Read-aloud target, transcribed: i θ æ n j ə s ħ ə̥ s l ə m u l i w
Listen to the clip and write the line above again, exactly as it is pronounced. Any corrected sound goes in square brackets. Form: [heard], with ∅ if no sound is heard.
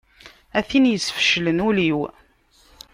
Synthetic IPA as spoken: [æ] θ [i] n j ə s [f] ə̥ [ʃ] l ə [n] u l i w